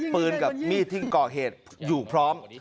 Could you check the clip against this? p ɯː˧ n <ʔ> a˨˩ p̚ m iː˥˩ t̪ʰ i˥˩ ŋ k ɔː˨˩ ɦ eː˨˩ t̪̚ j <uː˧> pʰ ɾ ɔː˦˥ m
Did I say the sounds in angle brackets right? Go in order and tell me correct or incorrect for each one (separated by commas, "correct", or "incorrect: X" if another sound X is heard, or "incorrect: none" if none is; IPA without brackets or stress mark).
incorrect: k, incorrect: uː˨˩